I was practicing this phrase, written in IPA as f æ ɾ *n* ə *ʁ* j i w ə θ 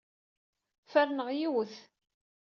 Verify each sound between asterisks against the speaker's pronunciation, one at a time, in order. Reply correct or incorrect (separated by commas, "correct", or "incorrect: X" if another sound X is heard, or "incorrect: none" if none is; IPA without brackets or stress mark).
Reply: correct, correct